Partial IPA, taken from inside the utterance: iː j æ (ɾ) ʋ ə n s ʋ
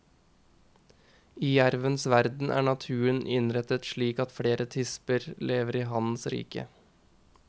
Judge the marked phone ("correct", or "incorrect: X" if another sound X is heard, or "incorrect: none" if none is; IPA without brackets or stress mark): correct